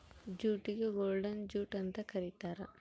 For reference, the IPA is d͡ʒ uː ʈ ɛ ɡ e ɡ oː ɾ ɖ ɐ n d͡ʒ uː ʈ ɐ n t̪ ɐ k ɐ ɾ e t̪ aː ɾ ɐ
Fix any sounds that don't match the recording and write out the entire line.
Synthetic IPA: d͡ʒ uː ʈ i ɡ e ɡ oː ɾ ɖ ɐ n d͡ʒ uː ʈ ɐ n t̪ ɐ k ɐ ɾ i t̪ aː ɾ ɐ